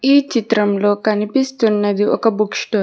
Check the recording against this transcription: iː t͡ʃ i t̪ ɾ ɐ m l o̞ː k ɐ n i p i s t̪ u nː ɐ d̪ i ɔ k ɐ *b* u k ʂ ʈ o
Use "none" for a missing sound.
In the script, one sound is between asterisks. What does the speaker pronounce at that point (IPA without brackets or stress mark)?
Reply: b